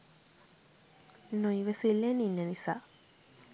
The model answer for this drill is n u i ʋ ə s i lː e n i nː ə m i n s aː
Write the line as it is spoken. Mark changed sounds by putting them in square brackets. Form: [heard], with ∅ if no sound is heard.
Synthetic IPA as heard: n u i ʋ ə s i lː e n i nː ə [n] i [∅] s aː